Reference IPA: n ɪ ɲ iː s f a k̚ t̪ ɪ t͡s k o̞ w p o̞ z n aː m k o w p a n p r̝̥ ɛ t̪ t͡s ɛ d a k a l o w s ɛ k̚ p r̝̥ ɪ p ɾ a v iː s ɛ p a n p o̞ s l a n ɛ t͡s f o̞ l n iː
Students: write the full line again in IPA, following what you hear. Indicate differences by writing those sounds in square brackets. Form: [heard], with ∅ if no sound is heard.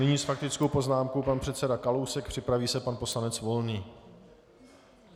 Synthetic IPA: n ɪ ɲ iː s f a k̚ t̪ ɪ t͡s k o̞ w p o̞ z n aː m k o w p a n p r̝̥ ɛ t̪ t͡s ɛ d a k a l o w s ɛ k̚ p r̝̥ ɪ p ɾ a v iː s ɛ p a n p o̞ s l a n ɛ t͡s [v] o̞ l n iː